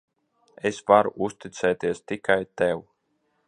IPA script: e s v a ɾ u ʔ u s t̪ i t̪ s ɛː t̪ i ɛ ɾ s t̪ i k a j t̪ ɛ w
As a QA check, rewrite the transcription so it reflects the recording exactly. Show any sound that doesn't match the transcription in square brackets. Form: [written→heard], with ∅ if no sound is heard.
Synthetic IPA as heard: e s v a ɾ u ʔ u s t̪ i t̪ s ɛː t̪ i ɛ [ɾ→∅] s t̪ i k a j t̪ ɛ w